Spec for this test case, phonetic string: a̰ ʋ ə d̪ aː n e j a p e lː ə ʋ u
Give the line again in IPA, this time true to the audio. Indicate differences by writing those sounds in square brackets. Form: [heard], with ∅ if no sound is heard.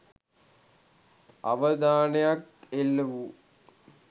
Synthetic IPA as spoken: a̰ ʋ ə d̪ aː n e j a [k] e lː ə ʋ u